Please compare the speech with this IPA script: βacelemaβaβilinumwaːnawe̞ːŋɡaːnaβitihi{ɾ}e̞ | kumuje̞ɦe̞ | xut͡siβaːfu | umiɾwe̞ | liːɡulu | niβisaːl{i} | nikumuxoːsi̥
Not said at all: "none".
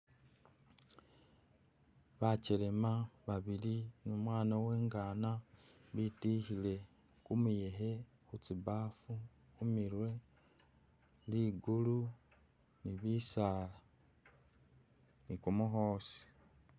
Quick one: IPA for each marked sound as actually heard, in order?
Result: l, a

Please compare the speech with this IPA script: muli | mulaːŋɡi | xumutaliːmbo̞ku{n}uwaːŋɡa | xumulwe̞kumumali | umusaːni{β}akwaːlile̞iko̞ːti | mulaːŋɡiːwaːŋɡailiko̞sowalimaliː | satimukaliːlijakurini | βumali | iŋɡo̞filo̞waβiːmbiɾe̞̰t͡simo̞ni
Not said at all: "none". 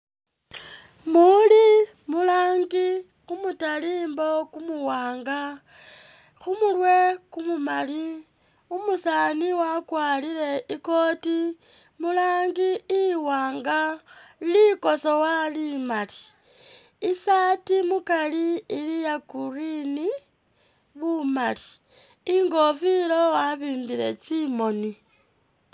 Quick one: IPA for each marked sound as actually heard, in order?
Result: m, w

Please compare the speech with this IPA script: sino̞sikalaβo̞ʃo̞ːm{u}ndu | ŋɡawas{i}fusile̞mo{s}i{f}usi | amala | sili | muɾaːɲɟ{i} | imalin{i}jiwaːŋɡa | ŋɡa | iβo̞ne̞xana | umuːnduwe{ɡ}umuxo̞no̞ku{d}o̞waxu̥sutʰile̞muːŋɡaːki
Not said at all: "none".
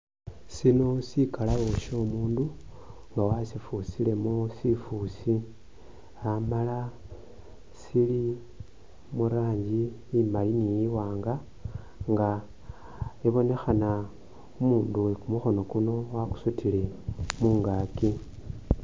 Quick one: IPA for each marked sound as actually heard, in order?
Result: uː, i, s, f, i, i, k, n

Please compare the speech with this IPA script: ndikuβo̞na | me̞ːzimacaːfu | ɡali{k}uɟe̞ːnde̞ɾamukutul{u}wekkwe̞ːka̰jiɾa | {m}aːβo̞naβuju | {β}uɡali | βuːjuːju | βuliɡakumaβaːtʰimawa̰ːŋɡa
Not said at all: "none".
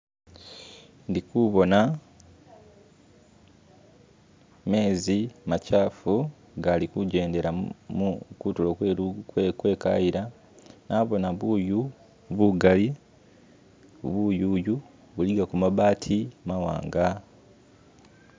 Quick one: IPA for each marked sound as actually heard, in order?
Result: k, o, n, β

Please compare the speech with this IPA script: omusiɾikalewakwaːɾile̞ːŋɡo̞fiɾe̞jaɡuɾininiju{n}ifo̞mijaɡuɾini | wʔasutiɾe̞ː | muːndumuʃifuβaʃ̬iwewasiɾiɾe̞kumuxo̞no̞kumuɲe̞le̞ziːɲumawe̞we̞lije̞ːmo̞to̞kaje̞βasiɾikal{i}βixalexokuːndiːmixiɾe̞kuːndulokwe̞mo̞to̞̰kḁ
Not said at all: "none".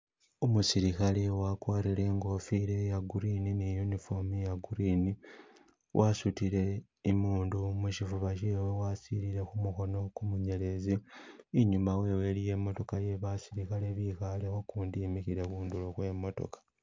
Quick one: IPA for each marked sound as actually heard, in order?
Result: n, e

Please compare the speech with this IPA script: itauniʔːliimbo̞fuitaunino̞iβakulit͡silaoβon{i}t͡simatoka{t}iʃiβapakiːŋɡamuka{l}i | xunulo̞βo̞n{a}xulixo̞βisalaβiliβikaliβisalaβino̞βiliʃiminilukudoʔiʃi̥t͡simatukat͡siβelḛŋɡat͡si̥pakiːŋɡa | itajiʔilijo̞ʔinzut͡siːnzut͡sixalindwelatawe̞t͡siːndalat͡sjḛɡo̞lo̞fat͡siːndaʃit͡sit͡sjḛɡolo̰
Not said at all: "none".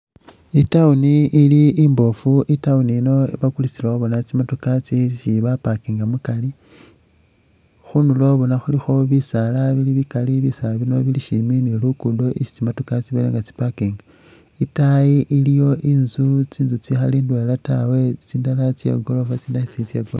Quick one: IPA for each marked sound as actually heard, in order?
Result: a, t͡s, l, a

